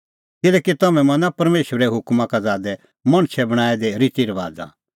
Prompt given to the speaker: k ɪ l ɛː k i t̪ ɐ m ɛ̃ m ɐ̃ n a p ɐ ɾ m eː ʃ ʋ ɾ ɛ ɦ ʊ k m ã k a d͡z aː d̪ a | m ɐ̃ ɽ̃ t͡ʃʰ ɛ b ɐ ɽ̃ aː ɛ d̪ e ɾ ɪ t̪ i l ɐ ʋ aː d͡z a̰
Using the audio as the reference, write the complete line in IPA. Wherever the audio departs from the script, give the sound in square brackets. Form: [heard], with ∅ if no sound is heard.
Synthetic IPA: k ɪ l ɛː k i t̪ ɐ m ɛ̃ m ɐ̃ n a p ɐ ɾ m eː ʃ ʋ ɾ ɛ ɦ ʊ k m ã k a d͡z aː d̪ [ɛ] | m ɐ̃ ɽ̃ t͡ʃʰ ɛ b ɐ ɽ̃ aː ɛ d̪ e ɾ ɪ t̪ i [ɾ] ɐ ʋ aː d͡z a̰